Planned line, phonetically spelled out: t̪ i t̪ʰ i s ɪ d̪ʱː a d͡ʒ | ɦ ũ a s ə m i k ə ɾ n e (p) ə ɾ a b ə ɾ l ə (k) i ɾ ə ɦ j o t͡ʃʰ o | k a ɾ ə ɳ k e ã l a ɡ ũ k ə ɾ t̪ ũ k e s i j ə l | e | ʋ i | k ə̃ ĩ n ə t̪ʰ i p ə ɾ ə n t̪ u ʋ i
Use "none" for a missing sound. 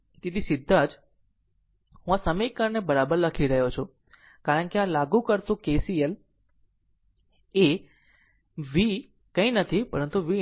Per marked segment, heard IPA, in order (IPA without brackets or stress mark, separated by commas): b, kʰ